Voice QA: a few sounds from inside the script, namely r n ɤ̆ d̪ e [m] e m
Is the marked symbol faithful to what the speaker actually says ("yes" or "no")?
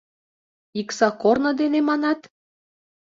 no